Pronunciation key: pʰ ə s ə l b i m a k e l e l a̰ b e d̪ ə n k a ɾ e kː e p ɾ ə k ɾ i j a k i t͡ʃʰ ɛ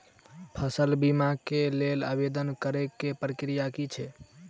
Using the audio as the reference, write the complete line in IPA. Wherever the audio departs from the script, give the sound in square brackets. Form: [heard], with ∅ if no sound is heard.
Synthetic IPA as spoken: pʰ ə s ə l b i m a k e l e l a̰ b e d̪ ə n k [ə] ɾ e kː e p ɾ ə k ɾ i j a k i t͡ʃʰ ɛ